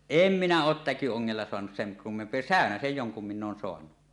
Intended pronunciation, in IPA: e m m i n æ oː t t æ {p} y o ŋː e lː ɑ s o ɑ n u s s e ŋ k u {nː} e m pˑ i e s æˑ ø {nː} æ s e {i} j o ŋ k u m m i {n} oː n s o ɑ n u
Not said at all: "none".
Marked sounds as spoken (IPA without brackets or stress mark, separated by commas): k, mː, n, j, nː